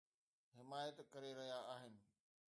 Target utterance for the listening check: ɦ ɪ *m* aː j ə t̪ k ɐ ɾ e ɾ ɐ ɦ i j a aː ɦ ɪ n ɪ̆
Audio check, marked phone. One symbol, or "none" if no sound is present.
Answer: m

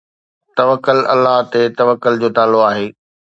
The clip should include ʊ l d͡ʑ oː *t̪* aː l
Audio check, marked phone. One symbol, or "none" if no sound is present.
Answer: t̪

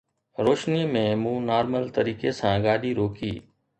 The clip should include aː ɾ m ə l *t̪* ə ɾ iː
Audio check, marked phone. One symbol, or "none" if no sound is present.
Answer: t̪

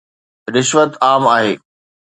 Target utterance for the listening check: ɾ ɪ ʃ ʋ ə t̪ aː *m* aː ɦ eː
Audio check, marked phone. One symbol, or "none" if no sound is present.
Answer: m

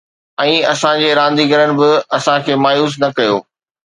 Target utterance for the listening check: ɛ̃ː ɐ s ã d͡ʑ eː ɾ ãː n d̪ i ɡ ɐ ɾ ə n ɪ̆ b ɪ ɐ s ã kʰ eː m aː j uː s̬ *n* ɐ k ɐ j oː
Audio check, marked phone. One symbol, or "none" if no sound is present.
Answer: n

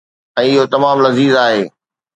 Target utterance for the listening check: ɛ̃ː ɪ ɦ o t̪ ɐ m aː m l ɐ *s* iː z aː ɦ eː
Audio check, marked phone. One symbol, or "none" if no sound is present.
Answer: z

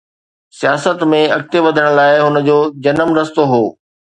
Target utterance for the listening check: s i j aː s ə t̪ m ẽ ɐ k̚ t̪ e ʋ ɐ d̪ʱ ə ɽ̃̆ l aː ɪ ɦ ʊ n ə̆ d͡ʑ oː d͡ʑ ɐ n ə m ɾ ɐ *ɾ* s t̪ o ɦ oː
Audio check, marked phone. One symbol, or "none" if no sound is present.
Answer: none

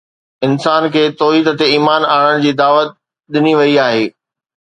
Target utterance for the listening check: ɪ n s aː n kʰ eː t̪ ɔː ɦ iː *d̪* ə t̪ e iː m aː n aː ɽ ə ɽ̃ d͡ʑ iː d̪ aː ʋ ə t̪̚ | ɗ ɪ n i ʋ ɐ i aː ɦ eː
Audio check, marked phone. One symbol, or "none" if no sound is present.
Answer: d̪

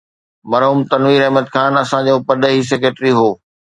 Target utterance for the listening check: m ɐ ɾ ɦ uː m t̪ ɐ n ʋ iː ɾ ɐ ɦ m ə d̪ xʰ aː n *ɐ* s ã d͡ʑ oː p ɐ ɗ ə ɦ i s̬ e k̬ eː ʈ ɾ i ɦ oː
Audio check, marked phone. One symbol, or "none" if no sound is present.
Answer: ɐ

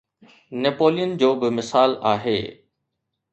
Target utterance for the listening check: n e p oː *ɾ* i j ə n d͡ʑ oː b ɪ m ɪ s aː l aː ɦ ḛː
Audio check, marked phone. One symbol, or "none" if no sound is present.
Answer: l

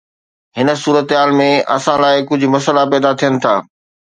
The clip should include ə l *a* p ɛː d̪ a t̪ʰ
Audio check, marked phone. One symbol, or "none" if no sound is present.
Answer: a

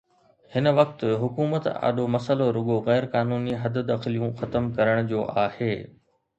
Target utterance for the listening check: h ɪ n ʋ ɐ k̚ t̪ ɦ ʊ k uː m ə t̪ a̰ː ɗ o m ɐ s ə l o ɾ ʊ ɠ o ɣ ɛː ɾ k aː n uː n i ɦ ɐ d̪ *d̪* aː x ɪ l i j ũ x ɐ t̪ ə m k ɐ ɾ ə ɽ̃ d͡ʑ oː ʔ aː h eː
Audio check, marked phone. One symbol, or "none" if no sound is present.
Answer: d̪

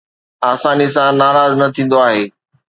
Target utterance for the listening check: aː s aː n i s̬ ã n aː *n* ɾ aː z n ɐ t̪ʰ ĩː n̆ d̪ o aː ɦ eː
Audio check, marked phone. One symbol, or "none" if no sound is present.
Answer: none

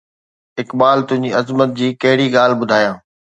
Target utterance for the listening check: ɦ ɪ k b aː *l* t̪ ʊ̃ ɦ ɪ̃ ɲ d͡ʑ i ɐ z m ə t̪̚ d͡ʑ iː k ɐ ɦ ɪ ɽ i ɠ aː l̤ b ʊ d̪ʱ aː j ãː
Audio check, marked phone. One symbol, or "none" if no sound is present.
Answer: l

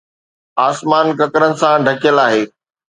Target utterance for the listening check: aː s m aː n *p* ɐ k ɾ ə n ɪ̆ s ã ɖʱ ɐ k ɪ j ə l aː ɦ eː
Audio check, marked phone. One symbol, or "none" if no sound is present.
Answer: k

